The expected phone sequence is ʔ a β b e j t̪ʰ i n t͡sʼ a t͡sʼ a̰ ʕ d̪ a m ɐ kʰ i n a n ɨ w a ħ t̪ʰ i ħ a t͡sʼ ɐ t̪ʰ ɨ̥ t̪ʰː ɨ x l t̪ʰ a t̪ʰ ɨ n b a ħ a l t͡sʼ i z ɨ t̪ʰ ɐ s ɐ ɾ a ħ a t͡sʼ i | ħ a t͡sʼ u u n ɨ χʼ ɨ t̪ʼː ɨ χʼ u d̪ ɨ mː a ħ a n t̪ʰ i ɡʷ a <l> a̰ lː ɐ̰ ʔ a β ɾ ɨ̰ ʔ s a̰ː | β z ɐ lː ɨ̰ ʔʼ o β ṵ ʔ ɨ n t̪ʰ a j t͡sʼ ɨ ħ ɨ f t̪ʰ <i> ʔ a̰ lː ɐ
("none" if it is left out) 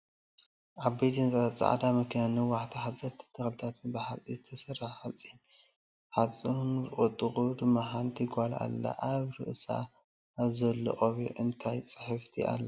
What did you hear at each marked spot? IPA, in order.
l, i

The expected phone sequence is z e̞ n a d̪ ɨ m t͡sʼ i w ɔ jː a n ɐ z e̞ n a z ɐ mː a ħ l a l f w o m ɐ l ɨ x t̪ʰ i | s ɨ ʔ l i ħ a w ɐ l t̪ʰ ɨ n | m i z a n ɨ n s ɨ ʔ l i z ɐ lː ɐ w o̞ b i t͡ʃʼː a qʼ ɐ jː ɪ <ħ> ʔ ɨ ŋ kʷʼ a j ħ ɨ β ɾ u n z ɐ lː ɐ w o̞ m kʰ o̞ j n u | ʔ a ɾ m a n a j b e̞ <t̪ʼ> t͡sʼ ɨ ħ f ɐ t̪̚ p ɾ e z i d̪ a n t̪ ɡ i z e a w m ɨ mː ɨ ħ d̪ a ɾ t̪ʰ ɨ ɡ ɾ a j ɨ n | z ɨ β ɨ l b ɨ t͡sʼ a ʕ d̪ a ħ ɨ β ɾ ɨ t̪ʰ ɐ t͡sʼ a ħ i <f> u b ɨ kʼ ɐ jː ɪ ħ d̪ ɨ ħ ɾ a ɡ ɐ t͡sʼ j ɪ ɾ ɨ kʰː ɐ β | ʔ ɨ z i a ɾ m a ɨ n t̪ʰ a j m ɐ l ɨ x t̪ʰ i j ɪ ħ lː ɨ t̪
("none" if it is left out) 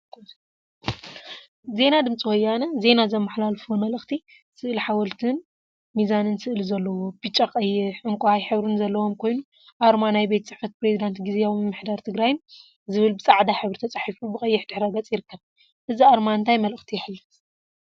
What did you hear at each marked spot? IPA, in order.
ħ, t̪, f

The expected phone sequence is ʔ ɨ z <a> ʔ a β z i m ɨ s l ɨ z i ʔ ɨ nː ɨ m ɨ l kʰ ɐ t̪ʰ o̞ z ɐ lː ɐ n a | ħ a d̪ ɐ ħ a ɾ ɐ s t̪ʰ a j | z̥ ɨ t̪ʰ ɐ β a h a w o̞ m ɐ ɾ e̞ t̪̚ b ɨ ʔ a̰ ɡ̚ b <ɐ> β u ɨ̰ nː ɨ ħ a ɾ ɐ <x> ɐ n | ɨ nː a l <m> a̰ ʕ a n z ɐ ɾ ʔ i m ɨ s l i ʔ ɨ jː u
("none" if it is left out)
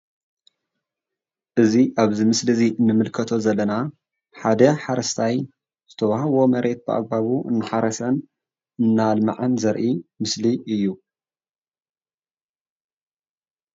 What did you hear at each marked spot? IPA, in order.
i, a, s, m

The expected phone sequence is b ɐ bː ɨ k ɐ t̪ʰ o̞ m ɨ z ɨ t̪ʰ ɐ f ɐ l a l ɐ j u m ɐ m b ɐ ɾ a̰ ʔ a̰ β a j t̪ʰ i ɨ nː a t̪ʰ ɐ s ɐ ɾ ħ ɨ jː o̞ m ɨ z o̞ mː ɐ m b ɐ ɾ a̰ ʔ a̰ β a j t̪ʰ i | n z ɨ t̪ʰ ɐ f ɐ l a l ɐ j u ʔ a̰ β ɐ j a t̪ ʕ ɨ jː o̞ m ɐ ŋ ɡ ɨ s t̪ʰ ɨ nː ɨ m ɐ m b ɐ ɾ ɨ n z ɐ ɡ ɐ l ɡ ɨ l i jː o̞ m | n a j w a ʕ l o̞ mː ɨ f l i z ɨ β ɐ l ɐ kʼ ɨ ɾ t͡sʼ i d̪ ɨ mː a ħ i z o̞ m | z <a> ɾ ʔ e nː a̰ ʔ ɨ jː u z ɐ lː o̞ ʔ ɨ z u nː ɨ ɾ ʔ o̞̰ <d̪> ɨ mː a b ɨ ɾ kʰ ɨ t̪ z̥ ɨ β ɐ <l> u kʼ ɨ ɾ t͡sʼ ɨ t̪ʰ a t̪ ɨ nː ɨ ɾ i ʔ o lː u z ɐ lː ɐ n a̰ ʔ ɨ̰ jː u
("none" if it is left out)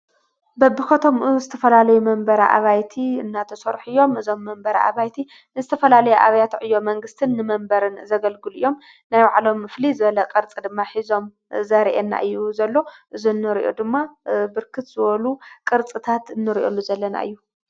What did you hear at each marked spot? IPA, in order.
ɐ, d̪, l

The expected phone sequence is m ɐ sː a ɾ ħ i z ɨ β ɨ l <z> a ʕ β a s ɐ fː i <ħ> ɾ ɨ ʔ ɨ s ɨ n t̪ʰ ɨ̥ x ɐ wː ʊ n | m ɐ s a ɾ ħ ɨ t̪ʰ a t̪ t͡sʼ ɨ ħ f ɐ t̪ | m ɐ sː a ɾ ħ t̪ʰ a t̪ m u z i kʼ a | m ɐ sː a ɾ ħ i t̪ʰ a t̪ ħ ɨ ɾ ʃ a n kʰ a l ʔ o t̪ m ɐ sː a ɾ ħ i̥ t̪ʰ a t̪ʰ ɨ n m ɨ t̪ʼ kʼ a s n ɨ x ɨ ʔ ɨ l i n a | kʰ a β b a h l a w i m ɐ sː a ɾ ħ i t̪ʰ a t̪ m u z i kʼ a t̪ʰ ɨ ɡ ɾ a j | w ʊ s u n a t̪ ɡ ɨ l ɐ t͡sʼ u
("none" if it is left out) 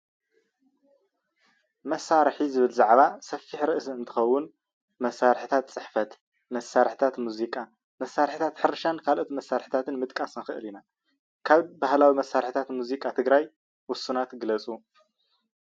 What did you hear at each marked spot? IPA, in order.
z, ħ

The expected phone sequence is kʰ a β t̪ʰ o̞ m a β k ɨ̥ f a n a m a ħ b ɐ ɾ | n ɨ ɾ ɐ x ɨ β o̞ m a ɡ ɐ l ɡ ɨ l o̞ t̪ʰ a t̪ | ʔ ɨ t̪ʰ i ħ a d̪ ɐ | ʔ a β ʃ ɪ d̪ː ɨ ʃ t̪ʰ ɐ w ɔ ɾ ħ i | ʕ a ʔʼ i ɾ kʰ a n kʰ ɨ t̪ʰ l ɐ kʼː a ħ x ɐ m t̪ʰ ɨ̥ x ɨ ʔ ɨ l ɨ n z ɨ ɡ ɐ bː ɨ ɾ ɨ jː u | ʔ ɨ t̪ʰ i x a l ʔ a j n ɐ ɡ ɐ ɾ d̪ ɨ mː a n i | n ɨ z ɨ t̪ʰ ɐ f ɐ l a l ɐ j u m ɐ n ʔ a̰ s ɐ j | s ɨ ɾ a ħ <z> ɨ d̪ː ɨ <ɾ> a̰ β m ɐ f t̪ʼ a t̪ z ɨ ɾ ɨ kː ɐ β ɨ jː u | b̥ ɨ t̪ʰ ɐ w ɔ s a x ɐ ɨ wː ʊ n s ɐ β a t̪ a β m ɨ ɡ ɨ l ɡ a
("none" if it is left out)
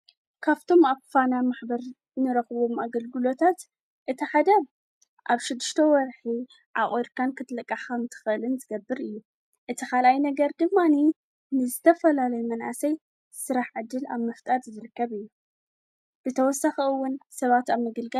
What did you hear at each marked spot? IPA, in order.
ʕ, l

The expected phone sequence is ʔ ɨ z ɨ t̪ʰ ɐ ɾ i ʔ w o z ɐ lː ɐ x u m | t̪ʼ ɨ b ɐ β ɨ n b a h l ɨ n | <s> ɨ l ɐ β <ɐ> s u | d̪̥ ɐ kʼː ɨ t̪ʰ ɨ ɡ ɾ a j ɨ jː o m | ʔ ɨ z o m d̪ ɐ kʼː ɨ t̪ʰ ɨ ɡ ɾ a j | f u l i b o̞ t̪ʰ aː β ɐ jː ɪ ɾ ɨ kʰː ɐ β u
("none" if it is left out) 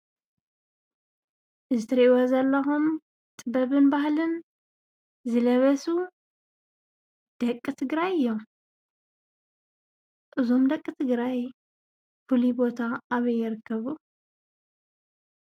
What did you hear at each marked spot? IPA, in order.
z, ɐ

